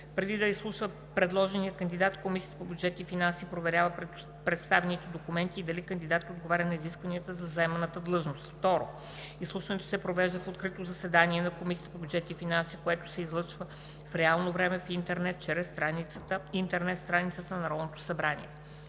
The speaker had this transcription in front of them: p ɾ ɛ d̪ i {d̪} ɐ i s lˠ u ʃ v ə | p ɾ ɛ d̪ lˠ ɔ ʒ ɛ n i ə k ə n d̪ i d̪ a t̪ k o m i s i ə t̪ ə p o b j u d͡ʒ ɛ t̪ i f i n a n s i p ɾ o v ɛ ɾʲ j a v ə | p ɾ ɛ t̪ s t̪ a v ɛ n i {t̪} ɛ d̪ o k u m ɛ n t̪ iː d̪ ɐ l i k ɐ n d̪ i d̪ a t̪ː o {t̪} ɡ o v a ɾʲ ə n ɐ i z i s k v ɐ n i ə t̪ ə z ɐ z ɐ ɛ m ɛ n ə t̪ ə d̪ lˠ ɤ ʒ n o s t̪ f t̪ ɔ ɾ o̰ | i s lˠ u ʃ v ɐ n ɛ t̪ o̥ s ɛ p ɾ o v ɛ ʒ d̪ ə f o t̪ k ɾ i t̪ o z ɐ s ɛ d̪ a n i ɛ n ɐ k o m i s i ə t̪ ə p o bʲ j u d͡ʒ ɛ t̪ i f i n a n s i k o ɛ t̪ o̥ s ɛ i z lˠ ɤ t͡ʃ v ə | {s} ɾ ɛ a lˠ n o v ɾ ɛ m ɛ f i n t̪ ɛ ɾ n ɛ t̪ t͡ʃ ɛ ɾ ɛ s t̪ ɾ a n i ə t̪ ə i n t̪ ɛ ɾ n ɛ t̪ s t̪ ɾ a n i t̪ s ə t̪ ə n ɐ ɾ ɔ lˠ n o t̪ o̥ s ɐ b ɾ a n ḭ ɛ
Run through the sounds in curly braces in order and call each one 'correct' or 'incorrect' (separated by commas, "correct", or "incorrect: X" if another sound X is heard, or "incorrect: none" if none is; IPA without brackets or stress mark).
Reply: correct, correct, incorrect: d̪, incorrect: f